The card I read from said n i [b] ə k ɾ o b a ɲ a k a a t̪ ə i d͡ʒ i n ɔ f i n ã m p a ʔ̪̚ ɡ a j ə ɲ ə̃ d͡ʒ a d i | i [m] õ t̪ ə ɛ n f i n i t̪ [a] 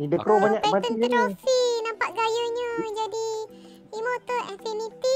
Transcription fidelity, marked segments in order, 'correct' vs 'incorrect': incorrect: d, correct, incorrect: i

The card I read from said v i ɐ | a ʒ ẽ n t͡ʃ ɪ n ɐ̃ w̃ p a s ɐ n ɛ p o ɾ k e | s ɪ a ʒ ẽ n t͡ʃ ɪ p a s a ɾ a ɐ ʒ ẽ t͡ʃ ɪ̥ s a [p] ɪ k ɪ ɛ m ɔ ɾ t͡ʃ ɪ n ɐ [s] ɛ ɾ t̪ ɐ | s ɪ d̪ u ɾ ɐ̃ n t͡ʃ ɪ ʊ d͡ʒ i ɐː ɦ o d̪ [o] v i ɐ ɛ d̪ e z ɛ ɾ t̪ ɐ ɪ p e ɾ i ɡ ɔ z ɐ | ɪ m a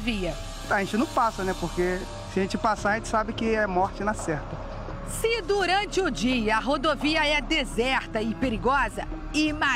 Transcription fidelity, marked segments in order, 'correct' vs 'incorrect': incorrect: b, correct, correct

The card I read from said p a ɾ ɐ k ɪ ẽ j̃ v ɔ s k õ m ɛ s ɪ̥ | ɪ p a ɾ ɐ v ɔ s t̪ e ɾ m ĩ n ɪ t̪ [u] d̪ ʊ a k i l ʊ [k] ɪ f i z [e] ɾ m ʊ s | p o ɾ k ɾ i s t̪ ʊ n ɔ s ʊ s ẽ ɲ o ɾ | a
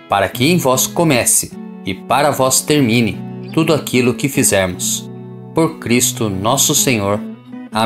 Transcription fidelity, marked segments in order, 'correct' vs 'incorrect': correct, correct, incorrect: ɛ

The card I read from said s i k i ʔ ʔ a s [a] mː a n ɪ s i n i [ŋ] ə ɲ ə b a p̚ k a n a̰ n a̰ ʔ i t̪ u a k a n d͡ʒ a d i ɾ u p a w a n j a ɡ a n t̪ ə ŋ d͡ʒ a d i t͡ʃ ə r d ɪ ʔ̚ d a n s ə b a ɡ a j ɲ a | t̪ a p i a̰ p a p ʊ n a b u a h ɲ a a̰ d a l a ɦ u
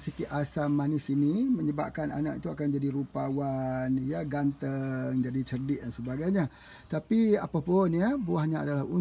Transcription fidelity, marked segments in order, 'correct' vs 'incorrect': correct, incorrect: m

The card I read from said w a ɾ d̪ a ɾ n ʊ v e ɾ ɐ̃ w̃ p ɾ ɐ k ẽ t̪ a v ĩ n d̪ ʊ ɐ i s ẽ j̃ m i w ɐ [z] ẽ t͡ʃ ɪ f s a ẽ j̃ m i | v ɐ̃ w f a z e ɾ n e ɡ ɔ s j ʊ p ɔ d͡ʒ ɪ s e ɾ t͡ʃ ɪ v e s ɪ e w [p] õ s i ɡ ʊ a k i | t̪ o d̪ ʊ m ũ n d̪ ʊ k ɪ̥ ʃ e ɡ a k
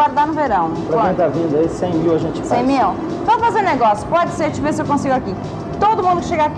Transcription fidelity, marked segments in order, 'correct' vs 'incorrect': incorrect: ʒ, incorrect: k

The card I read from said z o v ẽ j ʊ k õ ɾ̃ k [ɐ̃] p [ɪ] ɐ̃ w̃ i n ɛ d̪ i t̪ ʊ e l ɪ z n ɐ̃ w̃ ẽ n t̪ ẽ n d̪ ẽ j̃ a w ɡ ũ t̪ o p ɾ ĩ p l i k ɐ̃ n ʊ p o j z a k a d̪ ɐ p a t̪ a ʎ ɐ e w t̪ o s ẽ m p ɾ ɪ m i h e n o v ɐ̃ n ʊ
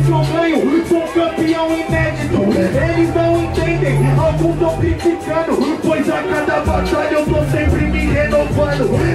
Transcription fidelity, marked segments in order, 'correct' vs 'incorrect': correct, incorrect: i

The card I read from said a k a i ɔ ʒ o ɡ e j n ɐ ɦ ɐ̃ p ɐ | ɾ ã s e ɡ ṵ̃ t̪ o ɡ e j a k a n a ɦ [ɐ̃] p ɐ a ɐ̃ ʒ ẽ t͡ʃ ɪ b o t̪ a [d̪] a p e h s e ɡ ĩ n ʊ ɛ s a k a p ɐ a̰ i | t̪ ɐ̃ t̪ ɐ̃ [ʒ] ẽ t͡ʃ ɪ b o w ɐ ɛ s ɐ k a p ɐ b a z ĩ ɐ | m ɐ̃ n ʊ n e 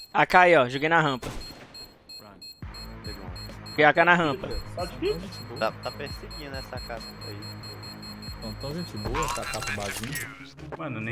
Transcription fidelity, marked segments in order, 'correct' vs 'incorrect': correct, incorrect: t̪, correct

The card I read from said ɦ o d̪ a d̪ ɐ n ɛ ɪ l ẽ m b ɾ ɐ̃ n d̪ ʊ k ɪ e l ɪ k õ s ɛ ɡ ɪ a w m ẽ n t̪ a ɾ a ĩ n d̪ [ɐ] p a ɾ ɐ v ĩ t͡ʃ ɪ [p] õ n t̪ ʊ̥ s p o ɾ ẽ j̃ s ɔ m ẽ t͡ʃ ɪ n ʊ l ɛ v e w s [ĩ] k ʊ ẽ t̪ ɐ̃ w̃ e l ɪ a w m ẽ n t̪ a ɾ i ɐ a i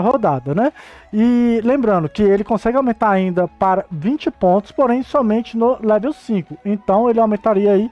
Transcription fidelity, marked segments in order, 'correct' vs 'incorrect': correct, correct, correct

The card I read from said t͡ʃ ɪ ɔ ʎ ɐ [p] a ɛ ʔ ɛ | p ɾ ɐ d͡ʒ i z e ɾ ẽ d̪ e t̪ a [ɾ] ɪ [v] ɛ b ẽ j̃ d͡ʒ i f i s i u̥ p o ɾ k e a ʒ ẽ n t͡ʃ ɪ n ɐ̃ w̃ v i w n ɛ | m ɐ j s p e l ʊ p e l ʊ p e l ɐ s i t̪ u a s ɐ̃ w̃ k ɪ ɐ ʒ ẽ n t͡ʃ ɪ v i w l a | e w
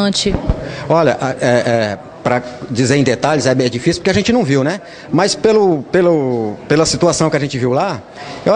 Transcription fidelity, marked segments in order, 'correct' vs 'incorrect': incorrect: ʔ, incorrect: ʎ, incorrect: z

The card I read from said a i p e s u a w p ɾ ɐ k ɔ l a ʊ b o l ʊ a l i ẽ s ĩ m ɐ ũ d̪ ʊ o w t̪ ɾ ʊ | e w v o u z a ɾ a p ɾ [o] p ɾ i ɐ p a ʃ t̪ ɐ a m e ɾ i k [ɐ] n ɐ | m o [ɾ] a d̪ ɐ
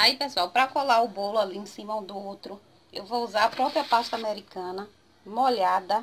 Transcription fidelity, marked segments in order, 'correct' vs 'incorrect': incorrect: ɔ, incorrect: ɐ̃, incorrect: ʎ

